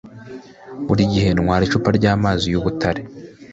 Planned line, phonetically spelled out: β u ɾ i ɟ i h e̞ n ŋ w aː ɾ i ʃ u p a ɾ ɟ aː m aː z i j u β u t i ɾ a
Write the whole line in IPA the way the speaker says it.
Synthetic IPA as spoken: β u ɾ i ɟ i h e̞ n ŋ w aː ɾ i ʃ u p a ɾ ɟ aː m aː z i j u β u t a ɾ e